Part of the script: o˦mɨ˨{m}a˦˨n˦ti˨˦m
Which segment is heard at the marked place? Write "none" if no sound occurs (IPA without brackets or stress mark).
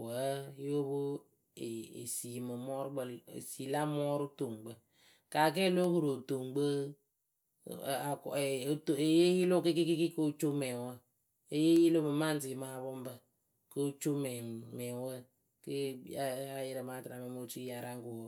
m